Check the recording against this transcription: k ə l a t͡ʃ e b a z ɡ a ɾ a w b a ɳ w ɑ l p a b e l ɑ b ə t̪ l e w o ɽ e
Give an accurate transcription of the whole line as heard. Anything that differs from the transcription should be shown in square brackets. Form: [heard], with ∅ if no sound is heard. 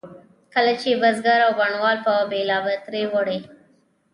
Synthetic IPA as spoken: k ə l a t͡ʃ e b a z ɡ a ɾ a w b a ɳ w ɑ l p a b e l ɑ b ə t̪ [ɾ] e w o ɽ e